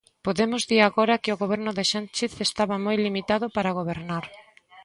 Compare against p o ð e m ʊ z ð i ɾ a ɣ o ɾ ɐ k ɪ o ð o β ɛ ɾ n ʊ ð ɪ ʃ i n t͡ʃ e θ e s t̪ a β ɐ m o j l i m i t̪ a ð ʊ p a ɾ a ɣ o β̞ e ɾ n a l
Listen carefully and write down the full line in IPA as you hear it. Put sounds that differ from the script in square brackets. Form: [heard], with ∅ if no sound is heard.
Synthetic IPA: p o ð e m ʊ z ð i ɾ a ɣ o ɾ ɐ k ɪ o [ɣ] o β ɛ ɾ n ʊ ð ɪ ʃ [a] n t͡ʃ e θ e s t̪ a β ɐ m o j l i m i t̪ a ð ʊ p a ɾ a ɣ o β̞ e ɾ n a [ɾ]